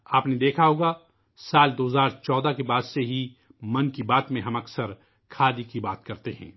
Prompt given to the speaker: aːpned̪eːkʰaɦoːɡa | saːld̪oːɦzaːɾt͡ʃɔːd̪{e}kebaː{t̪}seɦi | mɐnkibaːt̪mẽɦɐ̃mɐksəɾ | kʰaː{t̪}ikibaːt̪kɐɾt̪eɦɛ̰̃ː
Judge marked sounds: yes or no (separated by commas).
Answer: no, no, no